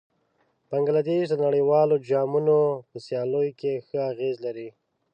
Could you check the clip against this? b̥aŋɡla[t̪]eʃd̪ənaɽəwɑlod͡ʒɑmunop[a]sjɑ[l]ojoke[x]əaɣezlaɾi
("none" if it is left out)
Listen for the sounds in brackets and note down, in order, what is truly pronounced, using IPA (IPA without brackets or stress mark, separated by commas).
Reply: d̪, ə, l, x